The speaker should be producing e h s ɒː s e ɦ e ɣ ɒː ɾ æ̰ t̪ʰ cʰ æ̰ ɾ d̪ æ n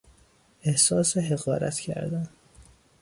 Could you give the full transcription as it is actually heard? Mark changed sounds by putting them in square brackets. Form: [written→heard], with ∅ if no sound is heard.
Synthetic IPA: e h s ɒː s e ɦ e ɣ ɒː ɾ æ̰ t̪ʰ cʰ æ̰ ɾ d̪ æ n

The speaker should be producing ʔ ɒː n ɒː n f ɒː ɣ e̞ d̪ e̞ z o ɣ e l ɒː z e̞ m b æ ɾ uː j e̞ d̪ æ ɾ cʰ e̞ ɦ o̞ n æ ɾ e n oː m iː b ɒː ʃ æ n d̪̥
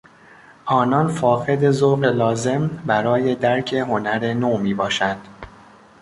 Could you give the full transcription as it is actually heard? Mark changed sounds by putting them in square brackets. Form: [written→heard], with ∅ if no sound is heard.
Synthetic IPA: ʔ ɒː n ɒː n f ɒː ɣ e̞ d̪ e̞ z o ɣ e l ɒː z e̞ m b æ ɾ [uː→ɒː] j e̞ d̪ æ ɾ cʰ e̞ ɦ o̞ n æ ɾ e n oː m iː b ɒː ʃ æ n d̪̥

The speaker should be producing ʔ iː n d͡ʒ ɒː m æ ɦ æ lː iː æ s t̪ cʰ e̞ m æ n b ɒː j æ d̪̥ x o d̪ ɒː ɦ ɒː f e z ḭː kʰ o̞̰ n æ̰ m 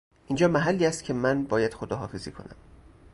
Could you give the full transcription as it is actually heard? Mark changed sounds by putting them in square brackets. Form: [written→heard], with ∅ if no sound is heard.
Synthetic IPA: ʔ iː n d͡ʒ ɒː m æ ɦ æ lː iː æ s t̪ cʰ e̞ m æ n b ɒː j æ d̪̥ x o d̪ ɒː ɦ ɒː f e z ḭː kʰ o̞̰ n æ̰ m

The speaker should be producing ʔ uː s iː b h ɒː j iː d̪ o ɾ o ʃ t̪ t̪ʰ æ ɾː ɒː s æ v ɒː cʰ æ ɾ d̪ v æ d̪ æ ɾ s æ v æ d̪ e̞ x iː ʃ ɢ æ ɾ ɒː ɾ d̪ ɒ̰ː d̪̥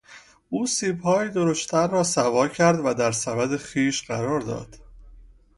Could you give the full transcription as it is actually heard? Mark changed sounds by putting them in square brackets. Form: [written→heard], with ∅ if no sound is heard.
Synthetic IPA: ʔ uː s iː b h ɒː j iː d̪ o ɾ o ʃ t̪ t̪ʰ æ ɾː ɒː s æ v ɒː cʰ æ ɾ d̪ v æ d̪ æ ɾ s æ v æ d̪ e̞ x iː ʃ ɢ æ ɾ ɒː ɾ d̪ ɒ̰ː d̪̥

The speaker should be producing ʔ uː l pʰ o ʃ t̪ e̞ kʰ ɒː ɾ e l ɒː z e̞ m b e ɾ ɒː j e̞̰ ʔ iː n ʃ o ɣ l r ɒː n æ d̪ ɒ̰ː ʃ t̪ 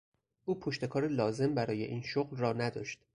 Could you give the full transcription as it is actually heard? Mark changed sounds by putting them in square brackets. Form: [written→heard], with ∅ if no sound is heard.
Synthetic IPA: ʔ uː [l→∅] pʰ o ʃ t̪ e̞ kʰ ɒː ɾ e l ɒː z e̞ m b [e→æ] ɾ ɒː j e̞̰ ʔ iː n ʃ o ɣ l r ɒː n æ d̪ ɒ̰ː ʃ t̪

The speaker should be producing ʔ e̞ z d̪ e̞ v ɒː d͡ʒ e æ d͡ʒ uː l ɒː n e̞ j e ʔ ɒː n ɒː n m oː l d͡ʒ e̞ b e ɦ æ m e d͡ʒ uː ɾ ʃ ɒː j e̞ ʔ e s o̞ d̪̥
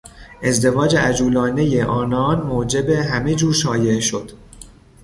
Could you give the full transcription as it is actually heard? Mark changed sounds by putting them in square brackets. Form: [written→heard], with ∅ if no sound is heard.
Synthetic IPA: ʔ e̞ z d̪ e̞ v ɒː d͡ʒ e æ d͡ʒ uː l ɒː n e̞ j e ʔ ɒː n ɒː n m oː [l→∅] d͡ʒ e̞ b e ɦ æ m e d͡ʒ uː ɾ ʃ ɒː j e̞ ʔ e [s→ʃ] o̞ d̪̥

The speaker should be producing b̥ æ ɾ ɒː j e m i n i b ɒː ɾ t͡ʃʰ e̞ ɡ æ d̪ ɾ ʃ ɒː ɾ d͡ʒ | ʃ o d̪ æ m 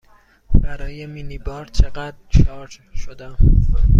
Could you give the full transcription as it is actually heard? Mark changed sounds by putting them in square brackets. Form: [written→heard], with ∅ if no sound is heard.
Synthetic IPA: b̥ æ ɾ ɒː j e m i n i b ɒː ɾ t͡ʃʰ e̞ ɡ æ d̪ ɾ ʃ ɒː ɾ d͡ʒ | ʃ o d̪ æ m

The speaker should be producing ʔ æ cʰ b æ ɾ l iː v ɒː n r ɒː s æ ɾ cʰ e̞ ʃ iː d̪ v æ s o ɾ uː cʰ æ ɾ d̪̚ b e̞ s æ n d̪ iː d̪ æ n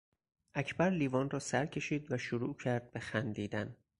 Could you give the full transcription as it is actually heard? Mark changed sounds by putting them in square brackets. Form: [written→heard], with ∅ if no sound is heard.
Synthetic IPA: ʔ æ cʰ b æ ɾ l iː v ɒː n r ɒː s æ ɾ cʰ e̞ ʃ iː d̪ v æ [s→ʃ] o ɾ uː cʰ æ ɾ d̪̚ b e̞ [s→x] æ n d̪ iː d̪ æ n

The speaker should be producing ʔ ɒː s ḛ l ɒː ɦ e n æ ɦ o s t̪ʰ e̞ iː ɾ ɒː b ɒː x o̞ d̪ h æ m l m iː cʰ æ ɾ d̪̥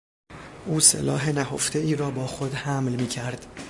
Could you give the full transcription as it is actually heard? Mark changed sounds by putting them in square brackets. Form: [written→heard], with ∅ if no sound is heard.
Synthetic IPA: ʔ [ɒː→uː] s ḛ l ɒː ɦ e n æ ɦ o [s→f] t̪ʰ e̞ iː ɾ ɒː b ɒː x o̞ d̪ h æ m l m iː cʰ æ ɾ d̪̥

